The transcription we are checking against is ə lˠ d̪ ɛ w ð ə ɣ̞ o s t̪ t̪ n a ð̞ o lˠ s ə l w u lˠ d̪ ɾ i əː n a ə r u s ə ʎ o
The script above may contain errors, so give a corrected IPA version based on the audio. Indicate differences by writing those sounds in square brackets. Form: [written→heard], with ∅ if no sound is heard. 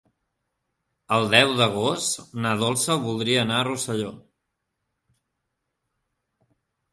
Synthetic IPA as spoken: ə lˠ d̪ ɛ w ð ə ɣ̞ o s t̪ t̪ n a ð̞ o lˠ s ə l [w→β] u lˠ d̪ ɾ i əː n a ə r u s ə ʎ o

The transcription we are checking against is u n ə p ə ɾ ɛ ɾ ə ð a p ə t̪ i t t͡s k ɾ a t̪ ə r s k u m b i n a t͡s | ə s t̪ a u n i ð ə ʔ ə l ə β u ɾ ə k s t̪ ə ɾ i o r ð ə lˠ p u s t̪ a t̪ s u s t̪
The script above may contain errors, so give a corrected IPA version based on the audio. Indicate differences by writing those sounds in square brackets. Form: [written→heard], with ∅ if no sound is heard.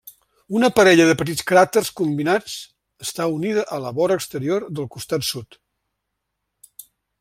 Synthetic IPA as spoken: u n ə p ə ɾ ɛ [ɾ→ʎ] ə ð [a→ə] p ə t̪ i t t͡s k ɾ a t̪ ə r s k u m b i n a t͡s | ə s t̪ a u n i ð ə ʔ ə l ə β [u→ɔ] ɾ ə k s t̪ ə ɾ i o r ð ə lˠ [p→k] u s t̪ a t̪ s u [s→∅] t̪

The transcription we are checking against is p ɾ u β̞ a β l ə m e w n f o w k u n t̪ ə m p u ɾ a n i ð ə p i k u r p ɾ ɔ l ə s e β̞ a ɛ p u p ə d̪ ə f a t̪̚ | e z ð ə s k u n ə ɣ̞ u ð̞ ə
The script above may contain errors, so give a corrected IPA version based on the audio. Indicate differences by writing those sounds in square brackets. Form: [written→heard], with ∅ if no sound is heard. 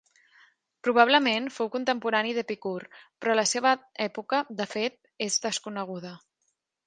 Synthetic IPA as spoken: p ɾ u β̞ a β l ə m e [w→∅] n f o w k u n t̪ ə m p u ɾ a n i ð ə p i k u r p ɾ ɔ l ə s e β̞ [a→ə] ɛ p u [p→k] ə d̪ ə f [a→e] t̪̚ | e z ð ə s k u n ə ɣ̞ u ð̞ ə

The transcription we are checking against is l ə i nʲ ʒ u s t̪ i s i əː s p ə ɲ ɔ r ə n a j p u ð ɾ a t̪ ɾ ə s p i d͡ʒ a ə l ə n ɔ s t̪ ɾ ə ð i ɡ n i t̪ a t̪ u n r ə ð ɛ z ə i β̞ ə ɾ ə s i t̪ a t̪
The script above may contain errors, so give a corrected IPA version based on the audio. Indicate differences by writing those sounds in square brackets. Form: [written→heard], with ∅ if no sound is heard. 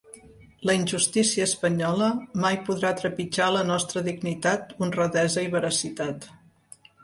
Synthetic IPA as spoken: l ə i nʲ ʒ u s t̪ i s i əː s p ə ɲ ɔ [r→l] ə [n→m] a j p u ð ɾ a t̪ ɾ ə [s→∅] p i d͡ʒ a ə l ə n ɔ s t̪ ɾ ə ð i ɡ n i t̪ a t̪ u n r ə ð ɛ z ə i β̞ ə ɾ ə s i t̪ a t̪

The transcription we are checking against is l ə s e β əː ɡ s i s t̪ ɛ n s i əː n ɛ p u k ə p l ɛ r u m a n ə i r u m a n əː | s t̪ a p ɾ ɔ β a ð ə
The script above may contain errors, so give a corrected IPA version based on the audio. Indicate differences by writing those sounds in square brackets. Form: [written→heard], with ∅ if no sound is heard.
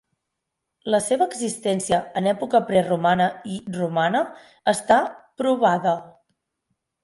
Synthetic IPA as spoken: l ə s e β əː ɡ [s→z] i s t̪ ɛ n s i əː n ɛ p u k ə p [l→ɾ] ɛ r u m a n ə i r u m a n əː | s t̪ a p ɾ [ɔ→u] β a ð ə

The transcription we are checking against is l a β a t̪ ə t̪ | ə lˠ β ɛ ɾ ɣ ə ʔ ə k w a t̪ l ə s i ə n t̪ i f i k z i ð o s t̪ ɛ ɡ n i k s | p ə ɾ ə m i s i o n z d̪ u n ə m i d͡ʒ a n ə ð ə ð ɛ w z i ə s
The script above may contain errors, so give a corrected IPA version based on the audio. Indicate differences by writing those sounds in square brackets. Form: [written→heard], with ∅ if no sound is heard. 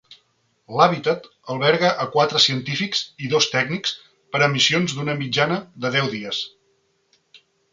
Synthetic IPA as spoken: l a β [a→i] t̪ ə t̪ | ə lˠ β ɛ ɾ ɣ ə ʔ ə k w a t̪ [l→ɾ] ə s i ə n t̪ i f i k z i ð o s t̪ ɛ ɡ n i k s | p ə ɾ ə m i s i o n z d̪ u n ə m i d͡ʒ a n ə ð ə ð ɛ w [z→ð] i ə s

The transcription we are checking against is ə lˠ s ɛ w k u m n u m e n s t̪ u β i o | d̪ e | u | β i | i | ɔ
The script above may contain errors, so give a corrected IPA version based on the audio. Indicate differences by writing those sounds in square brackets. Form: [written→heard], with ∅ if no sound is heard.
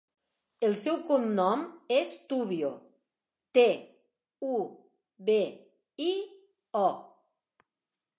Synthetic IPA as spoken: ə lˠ s ɛ w k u m n [u→ɔ] m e [n→∅] s t̪ u β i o | [d̪→t̪] e | u | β [i→e] | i | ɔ

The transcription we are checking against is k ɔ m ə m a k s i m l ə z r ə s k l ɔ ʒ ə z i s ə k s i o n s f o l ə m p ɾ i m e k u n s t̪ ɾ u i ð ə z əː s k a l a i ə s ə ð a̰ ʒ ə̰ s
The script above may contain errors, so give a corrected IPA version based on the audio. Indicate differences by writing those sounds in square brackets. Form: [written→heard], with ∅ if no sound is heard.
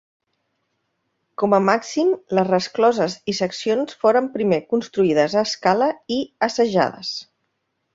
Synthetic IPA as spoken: k ɔ m ə m a k s i m l ə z r ə s k l ɔ [ʒ→z] ə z i s ə k s i o n s f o [l→ɾ] ə m p ɾ i m e k u n s t̪ ɾ u i ð ə z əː s k a l [a→ə] i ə s ə [ð→ʒ] a̰ [ʒ→ð] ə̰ s

